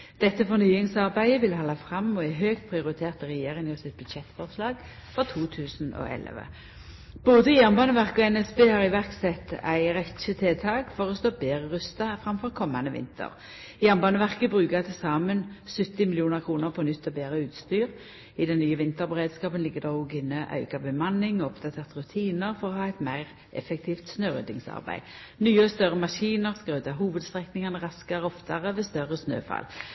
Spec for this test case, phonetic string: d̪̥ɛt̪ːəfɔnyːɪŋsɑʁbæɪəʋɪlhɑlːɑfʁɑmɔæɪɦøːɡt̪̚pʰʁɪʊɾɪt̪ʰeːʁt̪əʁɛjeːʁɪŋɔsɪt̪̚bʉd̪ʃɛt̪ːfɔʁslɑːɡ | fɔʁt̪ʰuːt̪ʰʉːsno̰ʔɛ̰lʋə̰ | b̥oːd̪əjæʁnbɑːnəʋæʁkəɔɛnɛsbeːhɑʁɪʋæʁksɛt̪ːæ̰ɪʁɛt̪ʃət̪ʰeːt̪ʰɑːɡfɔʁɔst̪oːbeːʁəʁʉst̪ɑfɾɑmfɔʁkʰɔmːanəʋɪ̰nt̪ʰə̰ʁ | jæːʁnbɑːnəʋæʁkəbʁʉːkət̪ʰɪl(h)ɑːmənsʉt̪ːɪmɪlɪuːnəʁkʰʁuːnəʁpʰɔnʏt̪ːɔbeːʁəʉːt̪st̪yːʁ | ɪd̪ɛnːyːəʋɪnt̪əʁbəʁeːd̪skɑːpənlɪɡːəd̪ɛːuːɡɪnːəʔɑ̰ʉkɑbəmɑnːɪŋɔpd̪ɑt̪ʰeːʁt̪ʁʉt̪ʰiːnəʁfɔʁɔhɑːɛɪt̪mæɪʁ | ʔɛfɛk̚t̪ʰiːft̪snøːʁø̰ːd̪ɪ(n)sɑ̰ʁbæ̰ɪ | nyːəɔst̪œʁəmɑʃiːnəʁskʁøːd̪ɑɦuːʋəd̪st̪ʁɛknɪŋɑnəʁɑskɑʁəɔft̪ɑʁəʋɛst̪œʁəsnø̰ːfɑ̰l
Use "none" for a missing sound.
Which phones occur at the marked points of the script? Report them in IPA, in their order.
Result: s, ŋ

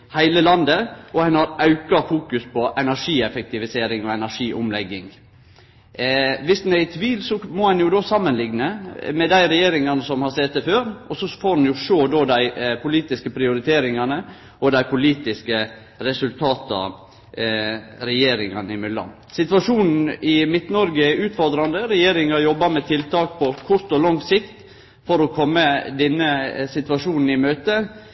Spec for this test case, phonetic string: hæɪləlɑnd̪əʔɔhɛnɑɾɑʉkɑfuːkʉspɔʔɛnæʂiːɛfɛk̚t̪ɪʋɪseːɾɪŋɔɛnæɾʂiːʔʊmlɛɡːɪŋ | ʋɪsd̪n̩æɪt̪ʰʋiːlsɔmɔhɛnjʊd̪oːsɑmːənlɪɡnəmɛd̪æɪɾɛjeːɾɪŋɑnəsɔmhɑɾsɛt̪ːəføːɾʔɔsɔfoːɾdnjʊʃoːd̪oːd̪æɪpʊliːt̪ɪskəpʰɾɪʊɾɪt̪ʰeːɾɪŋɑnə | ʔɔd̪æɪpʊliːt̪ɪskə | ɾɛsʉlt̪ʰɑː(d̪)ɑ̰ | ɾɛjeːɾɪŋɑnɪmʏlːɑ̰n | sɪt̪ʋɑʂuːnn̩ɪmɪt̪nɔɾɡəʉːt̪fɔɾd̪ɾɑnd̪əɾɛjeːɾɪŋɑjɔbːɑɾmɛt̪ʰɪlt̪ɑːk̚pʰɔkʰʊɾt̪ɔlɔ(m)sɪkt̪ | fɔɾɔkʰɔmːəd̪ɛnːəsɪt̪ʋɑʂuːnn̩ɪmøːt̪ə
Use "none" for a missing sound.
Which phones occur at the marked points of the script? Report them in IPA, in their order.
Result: t̪, ŋ

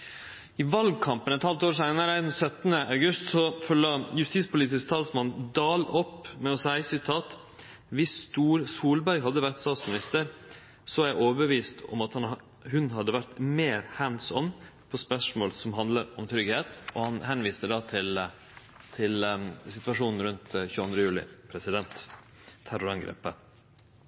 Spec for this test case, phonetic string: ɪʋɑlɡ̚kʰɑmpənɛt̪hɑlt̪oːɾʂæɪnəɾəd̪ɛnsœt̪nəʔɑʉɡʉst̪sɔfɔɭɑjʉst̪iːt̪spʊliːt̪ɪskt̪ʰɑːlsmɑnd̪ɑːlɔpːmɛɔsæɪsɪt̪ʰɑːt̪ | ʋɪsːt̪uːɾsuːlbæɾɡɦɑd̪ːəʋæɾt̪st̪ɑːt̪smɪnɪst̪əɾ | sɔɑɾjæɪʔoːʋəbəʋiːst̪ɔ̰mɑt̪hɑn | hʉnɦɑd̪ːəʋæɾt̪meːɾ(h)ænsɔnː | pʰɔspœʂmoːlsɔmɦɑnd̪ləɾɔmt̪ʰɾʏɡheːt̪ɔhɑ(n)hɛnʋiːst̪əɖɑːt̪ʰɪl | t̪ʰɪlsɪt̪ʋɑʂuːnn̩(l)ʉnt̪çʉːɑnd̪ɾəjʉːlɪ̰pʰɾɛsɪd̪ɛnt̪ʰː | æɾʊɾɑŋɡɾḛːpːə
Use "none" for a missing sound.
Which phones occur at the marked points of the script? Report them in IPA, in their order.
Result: h, n, ɾ

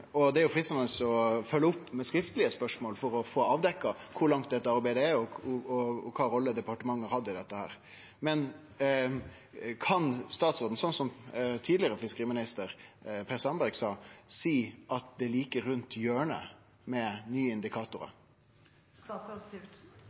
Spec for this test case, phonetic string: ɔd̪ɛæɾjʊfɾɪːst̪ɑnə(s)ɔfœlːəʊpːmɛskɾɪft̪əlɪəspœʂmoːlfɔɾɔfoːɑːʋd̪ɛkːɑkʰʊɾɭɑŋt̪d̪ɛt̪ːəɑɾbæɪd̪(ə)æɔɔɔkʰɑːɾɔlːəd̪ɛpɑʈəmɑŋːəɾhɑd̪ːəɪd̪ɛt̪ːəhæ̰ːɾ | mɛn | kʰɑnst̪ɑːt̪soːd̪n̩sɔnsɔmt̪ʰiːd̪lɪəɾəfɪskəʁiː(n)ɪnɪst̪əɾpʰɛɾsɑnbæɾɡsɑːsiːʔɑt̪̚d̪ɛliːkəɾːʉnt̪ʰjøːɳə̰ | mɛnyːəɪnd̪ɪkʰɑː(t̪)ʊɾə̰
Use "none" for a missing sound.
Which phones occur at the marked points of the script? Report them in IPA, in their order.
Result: s, ə, m, t̪

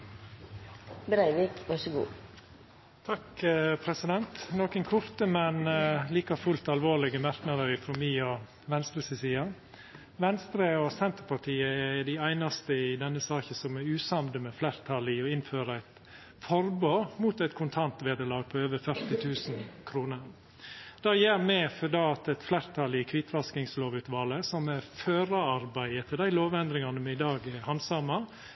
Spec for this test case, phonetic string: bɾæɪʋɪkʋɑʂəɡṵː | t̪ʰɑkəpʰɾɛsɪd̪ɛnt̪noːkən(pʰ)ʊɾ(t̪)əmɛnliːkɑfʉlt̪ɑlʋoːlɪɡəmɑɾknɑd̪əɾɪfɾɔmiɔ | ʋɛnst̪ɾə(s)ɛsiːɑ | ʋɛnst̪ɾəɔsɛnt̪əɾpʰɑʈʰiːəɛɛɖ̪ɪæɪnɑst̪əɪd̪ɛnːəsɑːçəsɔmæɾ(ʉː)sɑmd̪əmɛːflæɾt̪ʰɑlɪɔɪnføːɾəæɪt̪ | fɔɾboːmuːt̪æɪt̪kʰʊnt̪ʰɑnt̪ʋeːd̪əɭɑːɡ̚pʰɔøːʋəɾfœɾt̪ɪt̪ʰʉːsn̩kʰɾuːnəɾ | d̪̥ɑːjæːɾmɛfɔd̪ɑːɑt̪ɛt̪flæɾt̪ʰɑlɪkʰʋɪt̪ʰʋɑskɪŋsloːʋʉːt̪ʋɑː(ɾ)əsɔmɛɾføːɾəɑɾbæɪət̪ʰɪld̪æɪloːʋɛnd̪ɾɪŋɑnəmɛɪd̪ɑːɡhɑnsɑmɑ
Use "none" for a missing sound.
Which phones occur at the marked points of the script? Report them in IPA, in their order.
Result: kʰ, t̪, s, ʉː, l

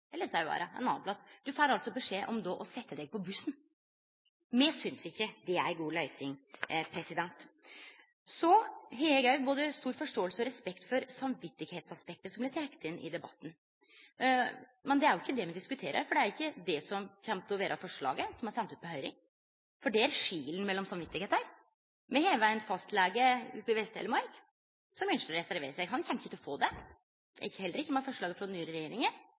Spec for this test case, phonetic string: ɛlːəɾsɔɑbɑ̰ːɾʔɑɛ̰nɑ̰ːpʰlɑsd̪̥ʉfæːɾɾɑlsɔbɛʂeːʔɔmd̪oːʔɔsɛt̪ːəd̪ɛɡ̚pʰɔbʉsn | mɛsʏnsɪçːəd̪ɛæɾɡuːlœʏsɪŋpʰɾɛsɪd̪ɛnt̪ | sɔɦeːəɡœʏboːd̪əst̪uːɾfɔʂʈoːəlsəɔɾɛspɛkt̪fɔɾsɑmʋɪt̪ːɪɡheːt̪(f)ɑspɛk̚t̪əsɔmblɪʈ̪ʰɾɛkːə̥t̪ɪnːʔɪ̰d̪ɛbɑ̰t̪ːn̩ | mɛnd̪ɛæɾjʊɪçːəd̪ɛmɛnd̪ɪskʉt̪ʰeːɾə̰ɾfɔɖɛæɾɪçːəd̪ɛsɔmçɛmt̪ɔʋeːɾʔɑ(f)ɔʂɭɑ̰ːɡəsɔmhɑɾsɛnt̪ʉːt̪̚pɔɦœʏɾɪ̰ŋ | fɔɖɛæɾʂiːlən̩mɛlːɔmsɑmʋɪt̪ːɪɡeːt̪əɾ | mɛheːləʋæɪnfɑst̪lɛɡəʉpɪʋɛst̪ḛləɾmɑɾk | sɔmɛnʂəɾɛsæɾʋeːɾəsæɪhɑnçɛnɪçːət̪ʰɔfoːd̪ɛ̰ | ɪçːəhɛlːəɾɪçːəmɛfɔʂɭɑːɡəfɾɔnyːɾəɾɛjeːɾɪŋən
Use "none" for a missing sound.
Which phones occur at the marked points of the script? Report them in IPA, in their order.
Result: s, f

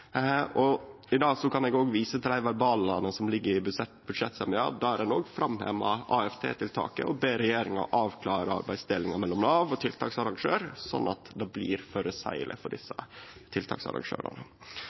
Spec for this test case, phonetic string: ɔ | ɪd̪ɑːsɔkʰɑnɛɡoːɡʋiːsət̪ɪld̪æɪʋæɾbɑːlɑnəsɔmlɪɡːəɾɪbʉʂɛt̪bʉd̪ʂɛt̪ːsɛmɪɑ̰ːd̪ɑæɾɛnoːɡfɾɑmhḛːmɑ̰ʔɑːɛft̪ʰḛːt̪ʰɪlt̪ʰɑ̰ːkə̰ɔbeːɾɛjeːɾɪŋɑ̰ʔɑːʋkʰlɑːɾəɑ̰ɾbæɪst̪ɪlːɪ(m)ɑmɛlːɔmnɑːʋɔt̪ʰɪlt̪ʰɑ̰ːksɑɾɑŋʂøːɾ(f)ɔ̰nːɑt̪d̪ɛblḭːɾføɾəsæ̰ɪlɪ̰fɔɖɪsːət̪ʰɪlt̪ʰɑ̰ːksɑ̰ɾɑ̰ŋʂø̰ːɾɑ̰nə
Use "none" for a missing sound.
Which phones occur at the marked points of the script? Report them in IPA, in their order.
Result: ŋ, s

